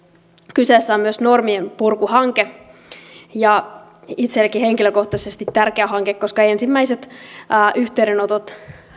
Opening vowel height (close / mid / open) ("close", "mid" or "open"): close